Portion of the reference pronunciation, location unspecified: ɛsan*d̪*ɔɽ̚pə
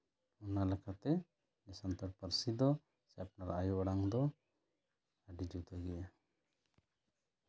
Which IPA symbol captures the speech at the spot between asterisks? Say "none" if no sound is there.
t̪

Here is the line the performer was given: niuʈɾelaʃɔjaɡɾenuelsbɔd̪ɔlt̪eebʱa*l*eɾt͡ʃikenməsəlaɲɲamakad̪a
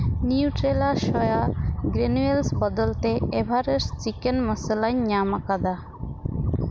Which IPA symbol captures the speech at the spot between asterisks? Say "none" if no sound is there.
ɾ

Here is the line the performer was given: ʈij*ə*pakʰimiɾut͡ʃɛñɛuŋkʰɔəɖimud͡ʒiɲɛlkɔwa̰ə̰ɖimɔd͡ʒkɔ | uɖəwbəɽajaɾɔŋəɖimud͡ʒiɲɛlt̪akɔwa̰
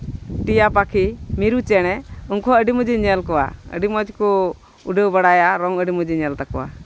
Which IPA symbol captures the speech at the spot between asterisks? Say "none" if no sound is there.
a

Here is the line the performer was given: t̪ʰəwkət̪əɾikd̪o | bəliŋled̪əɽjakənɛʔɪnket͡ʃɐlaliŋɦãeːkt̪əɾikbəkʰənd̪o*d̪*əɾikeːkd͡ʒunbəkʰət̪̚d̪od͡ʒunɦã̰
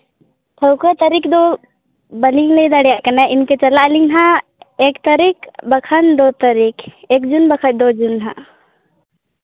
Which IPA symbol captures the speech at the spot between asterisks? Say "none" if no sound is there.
t̪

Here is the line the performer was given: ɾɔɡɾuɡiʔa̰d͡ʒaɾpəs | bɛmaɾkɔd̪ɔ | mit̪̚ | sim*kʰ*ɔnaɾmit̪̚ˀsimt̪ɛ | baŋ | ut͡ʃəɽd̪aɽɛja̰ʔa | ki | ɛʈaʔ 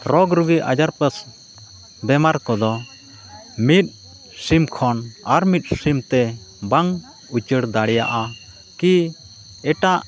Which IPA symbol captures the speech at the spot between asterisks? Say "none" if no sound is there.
kʰ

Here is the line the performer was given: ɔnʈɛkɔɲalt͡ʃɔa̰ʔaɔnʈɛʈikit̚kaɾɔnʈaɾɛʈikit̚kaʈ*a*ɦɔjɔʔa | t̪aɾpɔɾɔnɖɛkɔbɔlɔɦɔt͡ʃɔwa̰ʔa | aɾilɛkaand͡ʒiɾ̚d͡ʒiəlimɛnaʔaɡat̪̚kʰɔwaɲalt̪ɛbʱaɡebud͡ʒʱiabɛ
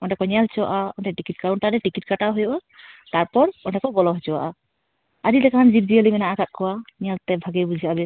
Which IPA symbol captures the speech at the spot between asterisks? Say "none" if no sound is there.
a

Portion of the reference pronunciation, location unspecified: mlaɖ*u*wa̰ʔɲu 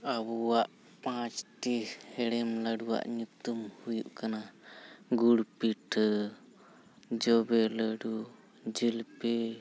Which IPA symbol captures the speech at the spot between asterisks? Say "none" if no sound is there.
u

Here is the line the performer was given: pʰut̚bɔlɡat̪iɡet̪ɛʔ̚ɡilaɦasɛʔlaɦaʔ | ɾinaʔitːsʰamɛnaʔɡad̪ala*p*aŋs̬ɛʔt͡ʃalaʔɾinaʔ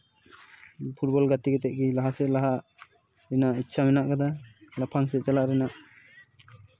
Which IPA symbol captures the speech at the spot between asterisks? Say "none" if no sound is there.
pʰ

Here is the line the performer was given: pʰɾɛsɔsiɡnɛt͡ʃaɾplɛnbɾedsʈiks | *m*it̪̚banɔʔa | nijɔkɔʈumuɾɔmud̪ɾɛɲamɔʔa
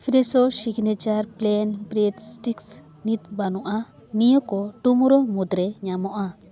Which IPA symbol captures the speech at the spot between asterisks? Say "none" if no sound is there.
n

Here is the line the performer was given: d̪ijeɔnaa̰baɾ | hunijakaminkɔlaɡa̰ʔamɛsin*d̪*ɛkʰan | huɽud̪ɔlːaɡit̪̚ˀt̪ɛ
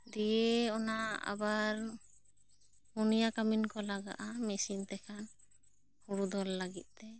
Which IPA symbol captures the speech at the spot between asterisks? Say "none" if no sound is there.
t̪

